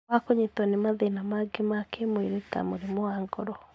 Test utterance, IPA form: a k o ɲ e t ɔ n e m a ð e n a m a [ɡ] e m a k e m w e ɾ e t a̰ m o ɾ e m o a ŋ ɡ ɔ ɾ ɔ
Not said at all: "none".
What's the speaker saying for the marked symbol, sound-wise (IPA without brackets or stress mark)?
ɡ